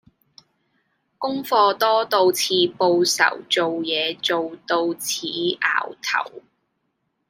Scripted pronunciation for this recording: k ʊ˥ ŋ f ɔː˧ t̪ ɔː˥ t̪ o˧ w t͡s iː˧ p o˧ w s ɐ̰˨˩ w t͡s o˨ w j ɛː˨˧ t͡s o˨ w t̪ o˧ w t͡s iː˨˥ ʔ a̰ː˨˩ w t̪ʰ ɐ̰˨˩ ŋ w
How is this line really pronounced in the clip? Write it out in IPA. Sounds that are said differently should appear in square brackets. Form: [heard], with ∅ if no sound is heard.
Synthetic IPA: k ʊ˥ ŋ f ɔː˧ t̪ ɔː˥ t̪ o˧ w [t͡sʰ] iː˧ p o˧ w s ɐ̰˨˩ w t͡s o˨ w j ɛː˨˧ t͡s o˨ w t̪ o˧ w [t͡sʰ] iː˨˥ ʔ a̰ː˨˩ w t̪ʰ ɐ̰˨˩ [∅] w